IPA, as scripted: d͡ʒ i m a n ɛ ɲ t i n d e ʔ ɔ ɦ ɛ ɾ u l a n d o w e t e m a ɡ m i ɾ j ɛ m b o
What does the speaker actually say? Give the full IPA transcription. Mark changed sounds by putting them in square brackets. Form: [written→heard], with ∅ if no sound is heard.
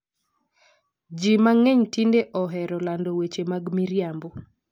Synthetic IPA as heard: d͡ʒ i m a [n→ŋ] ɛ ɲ t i n d e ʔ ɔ ɦ ɛ ɾ [u→ɔ] l a n d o w e [t→t͡ʃ] e m a ɡ m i ɾ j [ɛ→a] m b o